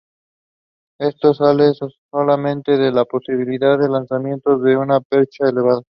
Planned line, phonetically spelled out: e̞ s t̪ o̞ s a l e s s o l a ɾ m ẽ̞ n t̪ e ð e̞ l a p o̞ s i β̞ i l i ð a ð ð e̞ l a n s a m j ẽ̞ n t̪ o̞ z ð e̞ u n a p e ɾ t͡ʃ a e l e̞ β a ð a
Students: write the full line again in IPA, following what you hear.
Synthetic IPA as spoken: e̞ s t̪ o̞ s a l e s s o l a m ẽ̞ n t̪ e ð e̞ l a p o̞ s i β̞ i l i ð a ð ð e̞ l a n s a m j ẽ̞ n t̪ o̞ z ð e̞ u n a p e ɾ t͡ʃ a e l e̞ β a ð a